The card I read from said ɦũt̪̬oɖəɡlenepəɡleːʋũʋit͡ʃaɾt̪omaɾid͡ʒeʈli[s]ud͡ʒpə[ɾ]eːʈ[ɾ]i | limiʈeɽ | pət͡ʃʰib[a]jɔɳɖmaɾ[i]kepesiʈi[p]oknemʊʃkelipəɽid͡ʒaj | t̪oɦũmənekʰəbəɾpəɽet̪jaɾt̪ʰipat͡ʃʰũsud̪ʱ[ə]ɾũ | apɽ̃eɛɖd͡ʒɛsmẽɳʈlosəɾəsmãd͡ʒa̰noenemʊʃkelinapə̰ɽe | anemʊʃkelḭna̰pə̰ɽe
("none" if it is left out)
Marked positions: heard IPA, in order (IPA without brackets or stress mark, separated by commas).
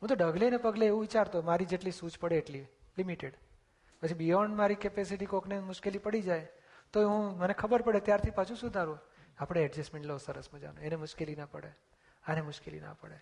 s, ɽ, l, i, i, k, a